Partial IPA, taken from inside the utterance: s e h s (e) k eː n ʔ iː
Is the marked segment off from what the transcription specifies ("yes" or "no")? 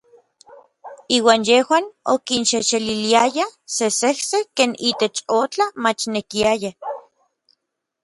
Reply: no